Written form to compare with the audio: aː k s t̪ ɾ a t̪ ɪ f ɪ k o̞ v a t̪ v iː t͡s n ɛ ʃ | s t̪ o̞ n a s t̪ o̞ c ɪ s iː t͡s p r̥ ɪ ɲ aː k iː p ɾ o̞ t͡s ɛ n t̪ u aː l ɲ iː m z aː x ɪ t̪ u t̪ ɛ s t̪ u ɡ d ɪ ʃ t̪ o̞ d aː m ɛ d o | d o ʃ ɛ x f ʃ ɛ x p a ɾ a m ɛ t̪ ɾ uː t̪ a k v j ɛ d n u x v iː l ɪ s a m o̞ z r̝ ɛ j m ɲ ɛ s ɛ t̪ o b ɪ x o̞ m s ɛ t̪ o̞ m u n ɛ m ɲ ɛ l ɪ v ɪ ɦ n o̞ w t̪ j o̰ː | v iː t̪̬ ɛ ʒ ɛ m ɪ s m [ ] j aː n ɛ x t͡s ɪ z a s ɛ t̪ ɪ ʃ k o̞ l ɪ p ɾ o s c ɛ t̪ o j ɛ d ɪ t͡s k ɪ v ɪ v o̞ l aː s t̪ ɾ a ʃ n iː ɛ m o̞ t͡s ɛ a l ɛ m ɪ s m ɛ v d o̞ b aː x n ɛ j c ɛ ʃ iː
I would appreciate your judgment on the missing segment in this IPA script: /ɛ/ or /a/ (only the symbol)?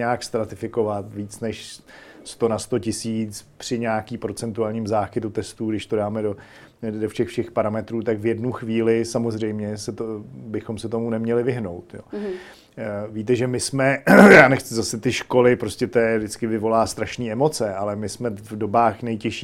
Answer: ɛ